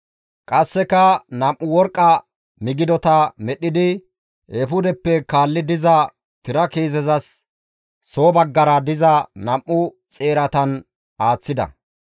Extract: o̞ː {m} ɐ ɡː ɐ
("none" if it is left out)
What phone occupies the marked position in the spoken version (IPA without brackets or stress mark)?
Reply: b